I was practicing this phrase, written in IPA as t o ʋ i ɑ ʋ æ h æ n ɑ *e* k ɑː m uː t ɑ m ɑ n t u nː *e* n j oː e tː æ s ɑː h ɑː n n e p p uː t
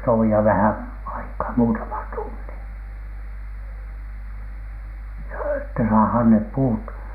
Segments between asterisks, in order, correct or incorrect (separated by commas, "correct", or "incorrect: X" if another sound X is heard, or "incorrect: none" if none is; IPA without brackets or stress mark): incorrect: i, incorrect: i